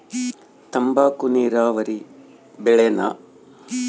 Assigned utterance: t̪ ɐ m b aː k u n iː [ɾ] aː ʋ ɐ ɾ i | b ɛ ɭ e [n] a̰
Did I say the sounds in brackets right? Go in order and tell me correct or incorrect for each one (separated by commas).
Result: correct, correct